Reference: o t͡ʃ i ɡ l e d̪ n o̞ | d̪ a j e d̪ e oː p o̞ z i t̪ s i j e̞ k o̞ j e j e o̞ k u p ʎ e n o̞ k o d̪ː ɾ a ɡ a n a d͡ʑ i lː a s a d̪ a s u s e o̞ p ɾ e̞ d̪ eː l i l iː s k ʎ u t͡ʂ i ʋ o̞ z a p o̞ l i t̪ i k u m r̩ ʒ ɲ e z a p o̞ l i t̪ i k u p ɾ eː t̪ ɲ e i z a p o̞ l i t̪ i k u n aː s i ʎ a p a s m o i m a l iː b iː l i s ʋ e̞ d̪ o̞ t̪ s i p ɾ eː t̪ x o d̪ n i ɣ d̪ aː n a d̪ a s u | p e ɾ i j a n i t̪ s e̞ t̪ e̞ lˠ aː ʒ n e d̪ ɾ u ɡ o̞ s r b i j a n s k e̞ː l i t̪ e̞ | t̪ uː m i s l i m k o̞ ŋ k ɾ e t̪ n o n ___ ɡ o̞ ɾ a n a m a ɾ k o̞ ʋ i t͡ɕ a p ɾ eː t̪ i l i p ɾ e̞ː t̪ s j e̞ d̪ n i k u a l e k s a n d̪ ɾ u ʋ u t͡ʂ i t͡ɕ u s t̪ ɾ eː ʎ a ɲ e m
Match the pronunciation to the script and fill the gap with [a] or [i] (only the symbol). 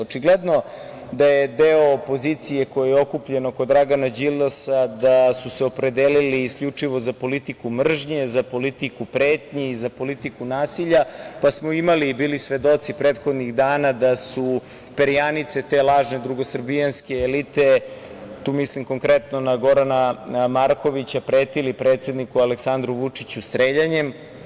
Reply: a